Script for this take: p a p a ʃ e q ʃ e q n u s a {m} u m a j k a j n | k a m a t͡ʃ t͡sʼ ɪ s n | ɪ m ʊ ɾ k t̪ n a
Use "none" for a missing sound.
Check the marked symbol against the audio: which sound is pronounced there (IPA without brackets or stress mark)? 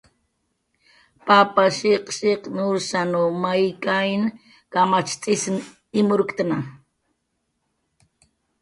n